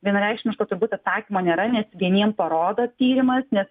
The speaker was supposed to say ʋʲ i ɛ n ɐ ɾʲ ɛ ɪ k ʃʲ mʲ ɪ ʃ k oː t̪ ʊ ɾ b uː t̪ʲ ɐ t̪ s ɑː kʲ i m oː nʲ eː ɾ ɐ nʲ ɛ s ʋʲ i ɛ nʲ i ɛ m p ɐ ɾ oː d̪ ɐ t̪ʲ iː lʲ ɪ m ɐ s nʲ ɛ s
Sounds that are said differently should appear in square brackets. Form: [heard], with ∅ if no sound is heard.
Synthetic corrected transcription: ʋʲ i ɛ n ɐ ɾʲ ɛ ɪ k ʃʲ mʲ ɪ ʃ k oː t̪ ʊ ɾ b uː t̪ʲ ɐ t̪ s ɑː kʲ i m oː nʲ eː ɾ ɐ nʲ ɛ s ʋʲ i ɛ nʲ i ɛ m p ɐ ɾ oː d̪ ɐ t̪ʲ iː [ɾʲ] ɪ m ɐ s nʲ ɛ s